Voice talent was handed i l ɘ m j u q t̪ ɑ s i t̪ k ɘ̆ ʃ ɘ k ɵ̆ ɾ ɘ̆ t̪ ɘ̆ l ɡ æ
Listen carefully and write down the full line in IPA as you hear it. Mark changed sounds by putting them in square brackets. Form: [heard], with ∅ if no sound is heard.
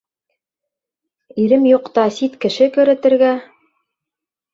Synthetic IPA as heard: i [ɾ] ɘ m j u q t̪ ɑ s i t̪ k ɘ̆ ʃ ɘ k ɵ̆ ɾ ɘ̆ t̪ ɘ̆ [ɾ] ɡ æ

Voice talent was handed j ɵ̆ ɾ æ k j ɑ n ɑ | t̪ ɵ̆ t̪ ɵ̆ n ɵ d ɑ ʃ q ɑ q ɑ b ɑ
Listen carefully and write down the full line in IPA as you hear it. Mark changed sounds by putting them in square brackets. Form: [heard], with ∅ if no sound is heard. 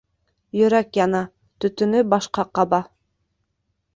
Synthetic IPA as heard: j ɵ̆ ɾ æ k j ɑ n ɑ | t̪ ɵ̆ t̪ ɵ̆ n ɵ [b] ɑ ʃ q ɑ q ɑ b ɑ

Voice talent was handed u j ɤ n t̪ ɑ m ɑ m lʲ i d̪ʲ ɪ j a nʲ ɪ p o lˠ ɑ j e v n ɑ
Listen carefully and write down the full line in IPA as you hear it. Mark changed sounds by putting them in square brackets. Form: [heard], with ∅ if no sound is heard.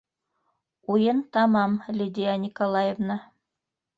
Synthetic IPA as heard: u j ɤ n t̪ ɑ m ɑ m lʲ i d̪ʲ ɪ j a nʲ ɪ [k] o lˠ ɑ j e v n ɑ

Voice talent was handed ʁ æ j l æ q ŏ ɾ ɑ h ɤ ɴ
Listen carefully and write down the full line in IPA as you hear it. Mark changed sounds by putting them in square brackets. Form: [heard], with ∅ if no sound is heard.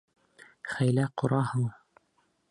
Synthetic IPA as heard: [χ] æ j l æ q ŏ ɾ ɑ h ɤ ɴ

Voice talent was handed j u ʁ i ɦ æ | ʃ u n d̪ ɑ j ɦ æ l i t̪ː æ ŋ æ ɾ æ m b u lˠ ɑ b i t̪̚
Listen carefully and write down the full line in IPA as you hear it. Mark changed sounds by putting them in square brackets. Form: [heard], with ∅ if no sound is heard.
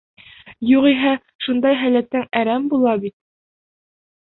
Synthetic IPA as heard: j u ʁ i ɦ æ | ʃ u n d̪ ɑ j ɦ æ l [æ] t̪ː æ ŋ æ ɾ æ m b u lˠ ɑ b i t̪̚

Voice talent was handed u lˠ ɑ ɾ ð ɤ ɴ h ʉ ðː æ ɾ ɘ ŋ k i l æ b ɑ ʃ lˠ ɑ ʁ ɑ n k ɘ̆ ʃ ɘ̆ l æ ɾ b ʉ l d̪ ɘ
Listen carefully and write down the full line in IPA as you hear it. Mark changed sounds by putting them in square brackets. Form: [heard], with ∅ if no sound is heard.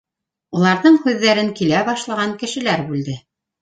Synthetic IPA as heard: u lˠ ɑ ɾ ð ɤ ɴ h ʉ ðː æ ɾ ɘ ŋ k i l æ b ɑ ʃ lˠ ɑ ʁ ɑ [ŋ] k ɘ̆ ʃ ɘ̆ l æ ɾ b ʉ l d̪ ɘ

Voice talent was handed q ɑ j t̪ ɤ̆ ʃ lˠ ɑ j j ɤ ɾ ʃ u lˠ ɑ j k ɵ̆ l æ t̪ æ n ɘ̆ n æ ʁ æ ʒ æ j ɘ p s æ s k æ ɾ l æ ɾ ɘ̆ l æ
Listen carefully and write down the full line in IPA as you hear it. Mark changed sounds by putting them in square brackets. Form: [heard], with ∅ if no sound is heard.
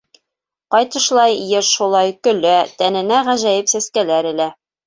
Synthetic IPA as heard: q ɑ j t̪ ɤ̆ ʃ lˠ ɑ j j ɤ ɾ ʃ u lˠ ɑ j k ɵ̆ l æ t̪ æ n ɘ̆ n æ ʁ æ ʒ æ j ɘ p s æ s k æ [∅] l æ ɾ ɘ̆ l æ

